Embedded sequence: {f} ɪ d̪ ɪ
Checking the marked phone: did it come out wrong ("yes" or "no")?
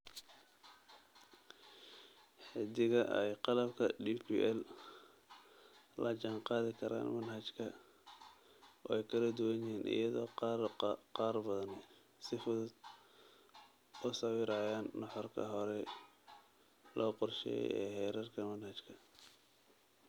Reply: yes